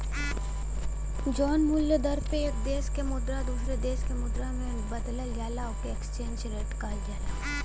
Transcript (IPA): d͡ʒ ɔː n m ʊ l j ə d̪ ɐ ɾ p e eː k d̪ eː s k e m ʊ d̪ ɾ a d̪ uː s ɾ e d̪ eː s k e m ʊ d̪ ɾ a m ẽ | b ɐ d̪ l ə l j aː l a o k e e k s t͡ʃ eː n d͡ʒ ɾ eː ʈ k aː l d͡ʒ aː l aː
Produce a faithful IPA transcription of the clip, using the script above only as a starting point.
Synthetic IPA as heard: d͡ʒ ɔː n m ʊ l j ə d̪ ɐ ɾ p e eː k d̪ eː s k e m ʊ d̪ ɾ a d̪ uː s ɾ e d̪ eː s k e m ʊ d̪ ɾ a m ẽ | b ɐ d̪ l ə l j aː l a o k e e k s t͡ʃ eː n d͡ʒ ɾ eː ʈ k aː l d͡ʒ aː l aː